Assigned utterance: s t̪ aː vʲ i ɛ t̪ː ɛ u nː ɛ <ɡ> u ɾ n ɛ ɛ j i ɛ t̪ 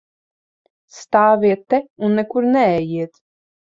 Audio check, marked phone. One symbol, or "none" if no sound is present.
k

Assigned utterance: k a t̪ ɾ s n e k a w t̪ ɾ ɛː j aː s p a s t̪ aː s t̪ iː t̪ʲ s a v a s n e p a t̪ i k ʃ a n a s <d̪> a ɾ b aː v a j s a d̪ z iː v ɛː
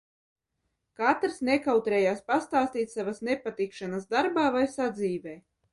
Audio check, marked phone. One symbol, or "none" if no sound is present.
d̪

